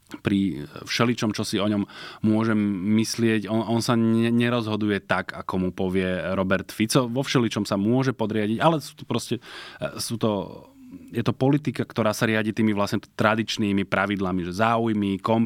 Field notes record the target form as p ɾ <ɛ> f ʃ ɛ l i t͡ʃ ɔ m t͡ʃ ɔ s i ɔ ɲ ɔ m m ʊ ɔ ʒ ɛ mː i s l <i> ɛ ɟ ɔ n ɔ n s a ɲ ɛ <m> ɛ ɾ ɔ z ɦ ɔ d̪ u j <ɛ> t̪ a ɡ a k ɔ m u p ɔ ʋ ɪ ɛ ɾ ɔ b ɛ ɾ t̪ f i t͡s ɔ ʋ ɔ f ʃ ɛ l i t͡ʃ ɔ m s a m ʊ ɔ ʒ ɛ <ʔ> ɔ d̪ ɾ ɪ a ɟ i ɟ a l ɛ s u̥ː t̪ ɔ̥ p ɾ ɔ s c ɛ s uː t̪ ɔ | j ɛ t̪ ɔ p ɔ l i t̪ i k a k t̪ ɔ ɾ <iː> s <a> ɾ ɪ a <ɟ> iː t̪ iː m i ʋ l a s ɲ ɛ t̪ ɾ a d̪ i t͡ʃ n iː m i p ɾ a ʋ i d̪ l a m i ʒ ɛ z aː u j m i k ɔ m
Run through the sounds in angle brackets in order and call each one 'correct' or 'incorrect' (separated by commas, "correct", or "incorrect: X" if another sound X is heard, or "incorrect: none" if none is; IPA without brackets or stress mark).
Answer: incorrect: i, incorrect: ɪ, incorrect: ɲ, correct, incorrect: p, incorrect: aː, correct, correct